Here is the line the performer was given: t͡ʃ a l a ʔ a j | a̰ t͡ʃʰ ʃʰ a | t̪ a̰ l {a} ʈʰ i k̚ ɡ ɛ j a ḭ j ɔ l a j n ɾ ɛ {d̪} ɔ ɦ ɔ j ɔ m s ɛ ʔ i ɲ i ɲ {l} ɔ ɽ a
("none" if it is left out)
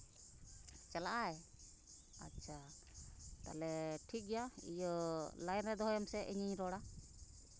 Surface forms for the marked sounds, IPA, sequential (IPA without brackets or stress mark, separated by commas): ɛ, d̪, ɾ